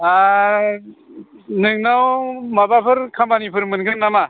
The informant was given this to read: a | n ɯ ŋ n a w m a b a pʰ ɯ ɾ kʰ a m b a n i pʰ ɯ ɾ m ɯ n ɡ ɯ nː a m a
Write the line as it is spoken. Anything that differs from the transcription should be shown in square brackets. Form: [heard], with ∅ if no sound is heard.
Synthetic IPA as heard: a | n ɯ ŋ n a w m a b a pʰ ɯ ɾ kʰ a m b a n i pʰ ɯ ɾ m ɯ n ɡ ɯ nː a m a